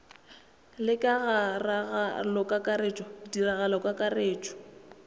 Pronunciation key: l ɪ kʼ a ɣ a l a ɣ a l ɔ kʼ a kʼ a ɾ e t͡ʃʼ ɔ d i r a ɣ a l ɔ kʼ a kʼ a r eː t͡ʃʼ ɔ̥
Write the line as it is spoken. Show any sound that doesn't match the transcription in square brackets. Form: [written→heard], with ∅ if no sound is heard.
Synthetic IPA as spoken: l ɪ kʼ a ɣ a [l→r] a ɣ a l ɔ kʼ a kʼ a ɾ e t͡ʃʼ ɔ d i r a ɣ a l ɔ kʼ a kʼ a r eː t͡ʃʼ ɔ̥